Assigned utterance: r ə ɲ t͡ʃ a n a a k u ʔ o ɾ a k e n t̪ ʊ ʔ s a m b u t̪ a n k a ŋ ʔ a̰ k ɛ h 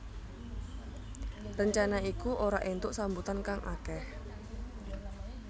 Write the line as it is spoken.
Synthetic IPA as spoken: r ə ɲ t͡ʃ a n a i k u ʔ o ɾ a ʔ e n t̪ ʊ ʔ s a m b u t̪ a n k a ŋ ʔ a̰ k ɛ h